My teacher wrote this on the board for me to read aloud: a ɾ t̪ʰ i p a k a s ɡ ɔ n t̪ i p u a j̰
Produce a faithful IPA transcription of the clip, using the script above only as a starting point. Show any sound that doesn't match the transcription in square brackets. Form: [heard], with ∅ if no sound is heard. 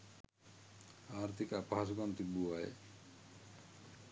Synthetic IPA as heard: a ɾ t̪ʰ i [k] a [p] a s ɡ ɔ n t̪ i [b] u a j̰

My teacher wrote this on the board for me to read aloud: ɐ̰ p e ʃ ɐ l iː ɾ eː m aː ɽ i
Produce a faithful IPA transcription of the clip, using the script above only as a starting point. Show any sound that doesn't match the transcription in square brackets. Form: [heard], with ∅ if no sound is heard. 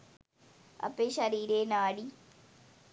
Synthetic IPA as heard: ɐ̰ p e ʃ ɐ [ɾ] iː ɾ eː [n] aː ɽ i

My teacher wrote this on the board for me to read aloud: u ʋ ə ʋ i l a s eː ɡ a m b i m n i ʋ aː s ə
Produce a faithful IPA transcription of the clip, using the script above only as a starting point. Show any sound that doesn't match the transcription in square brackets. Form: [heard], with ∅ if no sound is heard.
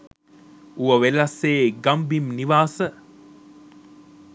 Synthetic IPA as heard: u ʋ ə ʋ [e] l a s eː ɡ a m b i m n i ʋ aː s ə

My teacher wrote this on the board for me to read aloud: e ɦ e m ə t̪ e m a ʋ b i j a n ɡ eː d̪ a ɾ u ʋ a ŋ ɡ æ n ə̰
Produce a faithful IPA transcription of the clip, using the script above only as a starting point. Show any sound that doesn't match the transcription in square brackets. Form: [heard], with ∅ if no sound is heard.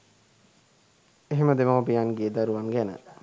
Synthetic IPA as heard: e ɦ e m ə [d̪] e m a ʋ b i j a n ɡ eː d̪ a ɾ u ʋ a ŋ ɡ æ n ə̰

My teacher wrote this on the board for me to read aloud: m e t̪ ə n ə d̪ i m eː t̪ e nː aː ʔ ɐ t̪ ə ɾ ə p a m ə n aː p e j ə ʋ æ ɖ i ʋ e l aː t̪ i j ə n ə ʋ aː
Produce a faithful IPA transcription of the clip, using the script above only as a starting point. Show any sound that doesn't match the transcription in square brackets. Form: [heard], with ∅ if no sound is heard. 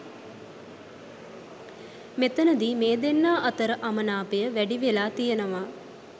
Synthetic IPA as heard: m e t̪ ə n ə d̪ i m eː [d̪] e nː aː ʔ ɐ t̪ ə ɾ ə [ʔ] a m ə n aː p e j ə ʋ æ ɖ i ʋ e l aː t̪ i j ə n ə ʋ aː

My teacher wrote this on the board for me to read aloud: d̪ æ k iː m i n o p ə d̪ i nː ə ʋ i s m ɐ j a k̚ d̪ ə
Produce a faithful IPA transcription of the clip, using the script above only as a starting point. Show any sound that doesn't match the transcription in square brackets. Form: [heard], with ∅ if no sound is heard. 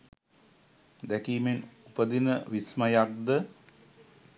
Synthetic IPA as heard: d̪ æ k iː m [e] n [u] p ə d̪ i [n] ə ʋ i s m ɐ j a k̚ d̪ ə

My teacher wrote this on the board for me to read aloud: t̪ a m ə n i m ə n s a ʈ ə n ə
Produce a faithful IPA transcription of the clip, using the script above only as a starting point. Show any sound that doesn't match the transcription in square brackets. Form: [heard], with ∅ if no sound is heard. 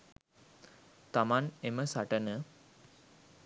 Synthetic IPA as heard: t̪ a m [a] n [e] m ə [∅] s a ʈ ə n ə

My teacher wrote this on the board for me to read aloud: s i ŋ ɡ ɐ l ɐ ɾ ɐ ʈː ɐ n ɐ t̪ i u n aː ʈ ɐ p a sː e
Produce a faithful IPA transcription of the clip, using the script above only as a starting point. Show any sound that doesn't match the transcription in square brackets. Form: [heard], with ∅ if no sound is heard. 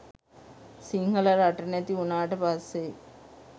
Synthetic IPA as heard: s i ŋ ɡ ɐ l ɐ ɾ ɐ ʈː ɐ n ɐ t̪ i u n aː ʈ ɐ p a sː e

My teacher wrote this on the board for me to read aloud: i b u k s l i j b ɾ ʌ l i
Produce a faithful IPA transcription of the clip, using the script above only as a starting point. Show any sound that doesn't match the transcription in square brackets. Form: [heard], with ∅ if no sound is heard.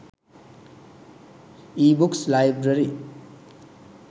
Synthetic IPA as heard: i b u k s l [a] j b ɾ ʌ [ɾ] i

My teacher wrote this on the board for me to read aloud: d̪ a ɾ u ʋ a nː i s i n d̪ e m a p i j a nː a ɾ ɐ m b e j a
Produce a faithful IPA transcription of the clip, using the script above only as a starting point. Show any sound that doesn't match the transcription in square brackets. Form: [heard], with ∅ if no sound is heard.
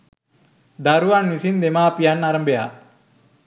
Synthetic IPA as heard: d̪ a ɾ u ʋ a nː i s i n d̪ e m a p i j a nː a ɾ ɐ m b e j a

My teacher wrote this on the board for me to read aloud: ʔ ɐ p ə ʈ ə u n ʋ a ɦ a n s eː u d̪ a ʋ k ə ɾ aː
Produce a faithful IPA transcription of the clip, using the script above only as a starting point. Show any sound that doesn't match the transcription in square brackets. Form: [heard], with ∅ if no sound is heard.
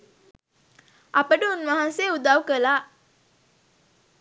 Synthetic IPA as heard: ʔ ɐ p ə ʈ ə u n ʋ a ɦ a n s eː u d̪ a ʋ k ə [l] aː

